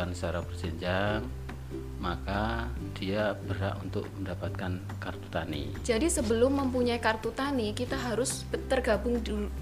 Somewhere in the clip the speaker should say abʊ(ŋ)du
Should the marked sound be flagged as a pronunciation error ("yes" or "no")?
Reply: no